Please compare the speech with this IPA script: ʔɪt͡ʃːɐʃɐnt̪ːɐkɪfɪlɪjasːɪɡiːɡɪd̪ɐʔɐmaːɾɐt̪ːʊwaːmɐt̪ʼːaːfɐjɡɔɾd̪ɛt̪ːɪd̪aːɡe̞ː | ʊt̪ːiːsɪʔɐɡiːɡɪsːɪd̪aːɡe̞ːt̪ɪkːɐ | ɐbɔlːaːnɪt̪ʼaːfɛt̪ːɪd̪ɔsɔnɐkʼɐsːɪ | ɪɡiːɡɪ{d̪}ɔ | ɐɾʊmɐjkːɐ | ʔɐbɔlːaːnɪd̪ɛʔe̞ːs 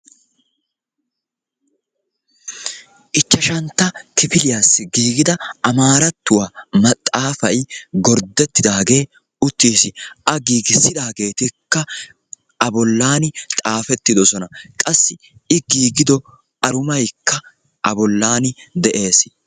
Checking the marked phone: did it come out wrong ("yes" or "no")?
no